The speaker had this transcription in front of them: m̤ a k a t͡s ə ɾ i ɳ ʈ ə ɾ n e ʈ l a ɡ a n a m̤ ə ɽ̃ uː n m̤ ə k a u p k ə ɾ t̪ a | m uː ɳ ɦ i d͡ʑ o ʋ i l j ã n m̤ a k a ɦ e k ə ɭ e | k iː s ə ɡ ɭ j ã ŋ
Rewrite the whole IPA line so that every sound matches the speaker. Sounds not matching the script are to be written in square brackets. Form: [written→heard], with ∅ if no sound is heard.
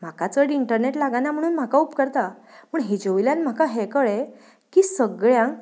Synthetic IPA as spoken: m̤ a k a t͡s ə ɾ i ɳ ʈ ə ɾ n e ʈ l a ɡ a n a m̤ ə ɽ̃ uː n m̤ [ə→a] k a u p k ə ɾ t̪ a | m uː ɳ ɦ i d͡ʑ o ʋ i l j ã n m̤ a k a ɦ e k ə ɭ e | k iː s ə ɡ ɭ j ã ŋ